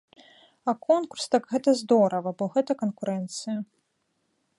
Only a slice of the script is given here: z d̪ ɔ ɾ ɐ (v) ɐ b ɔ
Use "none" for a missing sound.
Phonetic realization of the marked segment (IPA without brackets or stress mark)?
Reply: v